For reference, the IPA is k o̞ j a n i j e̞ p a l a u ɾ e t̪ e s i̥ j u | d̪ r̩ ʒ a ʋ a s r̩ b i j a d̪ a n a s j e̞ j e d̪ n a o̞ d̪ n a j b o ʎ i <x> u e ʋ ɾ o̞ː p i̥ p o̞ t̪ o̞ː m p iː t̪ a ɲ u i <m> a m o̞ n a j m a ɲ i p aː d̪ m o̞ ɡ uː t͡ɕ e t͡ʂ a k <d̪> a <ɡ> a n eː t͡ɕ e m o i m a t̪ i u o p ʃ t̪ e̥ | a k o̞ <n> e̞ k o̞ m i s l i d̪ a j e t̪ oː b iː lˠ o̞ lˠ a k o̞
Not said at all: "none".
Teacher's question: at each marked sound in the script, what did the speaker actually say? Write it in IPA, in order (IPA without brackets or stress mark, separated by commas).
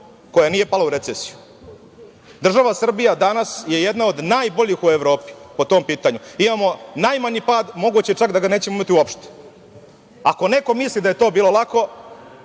x, m, d̪, ɡ, n